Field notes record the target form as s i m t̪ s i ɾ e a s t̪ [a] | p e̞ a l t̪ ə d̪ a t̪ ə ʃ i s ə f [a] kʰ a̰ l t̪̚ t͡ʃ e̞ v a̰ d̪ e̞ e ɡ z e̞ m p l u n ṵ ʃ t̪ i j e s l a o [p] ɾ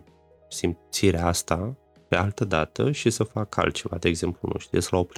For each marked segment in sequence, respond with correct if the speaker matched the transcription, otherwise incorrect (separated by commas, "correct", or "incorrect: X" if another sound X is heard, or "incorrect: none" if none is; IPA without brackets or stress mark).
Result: correct, correct, correct